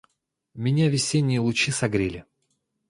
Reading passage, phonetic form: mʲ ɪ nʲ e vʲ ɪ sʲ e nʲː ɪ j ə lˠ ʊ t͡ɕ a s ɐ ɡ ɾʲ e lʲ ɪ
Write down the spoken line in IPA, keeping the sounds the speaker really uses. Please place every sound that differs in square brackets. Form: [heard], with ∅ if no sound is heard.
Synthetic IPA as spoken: mʲ ɪ nʲ [a] vʲ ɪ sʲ e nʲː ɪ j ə lˠ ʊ t͡ɕ [i] s ɐ ɡ ɾʲ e lʲ ɪ

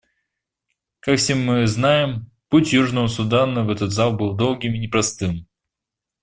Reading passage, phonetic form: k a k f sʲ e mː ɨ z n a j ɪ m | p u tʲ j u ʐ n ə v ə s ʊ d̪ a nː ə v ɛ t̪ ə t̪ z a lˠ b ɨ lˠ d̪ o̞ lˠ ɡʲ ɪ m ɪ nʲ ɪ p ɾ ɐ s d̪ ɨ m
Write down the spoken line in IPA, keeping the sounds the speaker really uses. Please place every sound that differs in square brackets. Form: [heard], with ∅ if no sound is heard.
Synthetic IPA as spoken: k a k f sʲ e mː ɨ z n a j ɪ m | p u tʲ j u ʐ n ə v ə s ʊ d̪ a [n] ə v ɛ t̪ ə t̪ z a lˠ b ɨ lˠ d̪ o̞ lˠ ɡʲ ɪ m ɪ nʲ ɪ p ɾ ɐ s [t̪] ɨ m

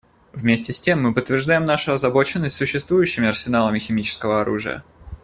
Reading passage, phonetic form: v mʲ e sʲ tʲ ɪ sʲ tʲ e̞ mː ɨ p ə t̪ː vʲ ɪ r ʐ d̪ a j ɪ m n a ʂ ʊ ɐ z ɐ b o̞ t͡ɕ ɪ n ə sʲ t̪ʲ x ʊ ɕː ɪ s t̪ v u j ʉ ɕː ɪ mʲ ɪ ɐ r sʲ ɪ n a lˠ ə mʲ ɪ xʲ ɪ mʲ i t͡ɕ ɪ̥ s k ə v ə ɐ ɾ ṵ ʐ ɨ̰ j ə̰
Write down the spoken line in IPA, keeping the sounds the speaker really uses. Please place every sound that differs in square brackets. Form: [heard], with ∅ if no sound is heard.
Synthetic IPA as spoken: v mʲ e sʲ tʲ ɪ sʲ tʲ e̞ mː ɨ p ə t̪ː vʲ ɪ r ʐ d̪ a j ɪ m n a ʂ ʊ ɐ z ɐ b o̞ t͡ɕ ɪ [nː] ə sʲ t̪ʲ [s] ʊ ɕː ɪ s t̪ v u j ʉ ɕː ɪ mʲ ɪ ɐ r sʲ ɪ n a lˠ ə mʲ ɪ xʲ ɪ mʲ i t͡ɕ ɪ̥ s k ə v ə ɐ ɾ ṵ ʐ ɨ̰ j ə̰

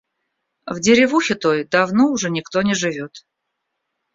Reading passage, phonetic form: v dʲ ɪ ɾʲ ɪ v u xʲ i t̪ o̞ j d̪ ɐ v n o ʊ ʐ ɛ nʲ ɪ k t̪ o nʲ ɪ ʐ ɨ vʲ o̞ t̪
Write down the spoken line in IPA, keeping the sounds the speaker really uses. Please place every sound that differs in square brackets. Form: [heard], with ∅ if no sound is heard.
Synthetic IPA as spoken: v dʲ ɪ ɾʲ ɪ v u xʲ [ɪ] t̪ o̞ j d̪ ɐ v n o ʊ ʐ ɛ nʲ ɪ k t̪ o nʲ ɪ ʐ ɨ vʲ o̞ t̪

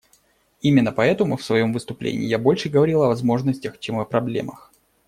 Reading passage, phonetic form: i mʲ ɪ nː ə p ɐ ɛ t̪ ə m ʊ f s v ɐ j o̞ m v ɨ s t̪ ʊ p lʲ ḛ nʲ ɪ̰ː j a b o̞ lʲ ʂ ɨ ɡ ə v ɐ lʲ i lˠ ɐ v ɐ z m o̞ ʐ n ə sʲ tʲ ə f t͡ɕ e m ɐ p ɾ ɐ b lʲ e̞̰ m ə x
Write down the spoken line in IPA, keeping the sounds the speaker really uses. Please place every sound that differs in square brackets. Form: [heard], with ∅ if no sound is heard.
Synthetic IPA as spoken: i mʲ ɪ nː ə p ɐ ɛ t̪ ə m ʊ f s v ɐ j o̞ m v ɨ s t̪ ʊ p lʲ ḛ nʲ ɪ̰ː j a b o̞ lʲ ʂ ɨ ɡ ə v ɐ [ɾʲ] i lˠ ɐ v ɐ z m o̞ ʐ n ə sʲ tʲ ə [x] t͡ɕ e m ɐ p ɾ ɐ b lʲ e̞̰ m ə x

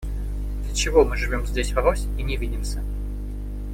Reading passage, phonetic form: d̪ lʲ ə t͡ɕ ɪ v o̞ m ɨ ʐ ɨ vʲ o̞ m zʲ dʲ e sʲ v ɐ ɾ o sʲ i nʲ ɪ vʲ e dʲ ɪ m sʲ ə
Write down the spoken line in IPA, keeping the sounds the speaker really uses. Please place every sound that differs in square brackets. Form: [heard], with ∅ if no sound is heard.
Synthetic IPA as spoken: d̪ lʲ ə t͡ɕ ɪ v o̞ m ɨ ʐ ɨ vʲ o̞ m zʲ dʲ e sʲ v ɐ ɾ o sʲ i nʲ ɪ vʲ [i] dʲ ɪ m sʲ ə

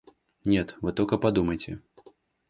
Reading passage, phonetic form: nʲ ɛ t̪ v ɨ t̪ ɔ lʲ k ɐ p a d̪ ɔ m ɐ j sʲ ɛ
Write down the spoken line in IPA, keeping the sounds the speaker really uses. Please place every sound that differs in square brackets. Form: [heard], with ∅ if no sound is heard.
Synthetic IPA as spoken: nʲ ɛ t̪ v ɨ t̪ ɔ lʲ k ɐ p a d̪ [u] m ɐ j [t͡sʲ] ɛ

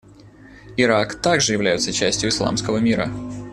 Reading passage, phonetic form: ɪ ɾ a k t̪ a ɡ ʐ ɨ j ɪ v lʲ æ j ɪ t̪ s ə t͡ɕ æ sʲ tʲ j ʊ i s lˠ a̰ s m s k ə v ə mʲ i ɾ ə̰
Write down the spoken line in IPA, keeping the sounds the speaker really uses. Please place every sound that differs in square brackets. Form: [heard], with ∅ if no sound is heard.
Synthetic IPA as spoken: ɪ ɾ a k t̪ a ɡ ʐ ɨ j ɪ v lʲ æ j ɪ t̪ s ə t͡ɕ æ sʲ tʲ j ʊ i s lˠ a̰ [∅] m s k ə v ə mʲ i ɾ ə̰

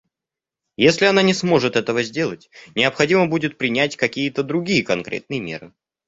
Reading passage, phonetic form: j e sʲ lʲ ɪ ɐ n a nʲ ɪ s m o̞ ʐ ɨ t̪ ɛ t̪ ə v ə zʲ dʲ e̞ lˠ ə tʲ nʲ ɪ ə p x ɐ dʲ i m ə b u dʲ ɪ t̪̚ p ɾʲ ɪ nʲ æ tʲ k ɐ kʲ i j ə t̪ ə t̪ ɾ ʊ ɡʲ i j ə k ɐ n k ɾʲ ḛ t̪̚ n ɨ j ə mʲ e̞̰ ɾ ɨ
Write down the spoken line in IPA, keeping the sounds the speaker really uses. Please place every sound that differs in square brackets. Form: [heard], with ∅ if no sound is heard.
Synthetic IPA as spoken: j e sʲ lʲ ɪ ɐ n a nʲ ɪ s m o̞ ʐ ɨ t̪ ɛ t̪ ə v ə zʲ dʲ e̞ lˠ ə tʲ nʲ ɪ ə p x ɐ dʲ i m ə b u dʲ ɪ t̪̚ p ɾʲ ɪ nʲ æ tʲ k ɐ kʲ i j ə t̪ ə [d̪] ɾ ʊ ɡʲ i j ə k ɐ n k ɾʲ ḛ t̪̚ n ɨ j ə mʲ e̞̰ ɾ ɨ

